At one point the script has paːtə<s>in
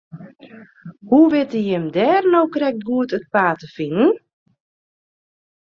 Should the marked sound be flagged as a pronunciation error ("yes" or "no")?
yes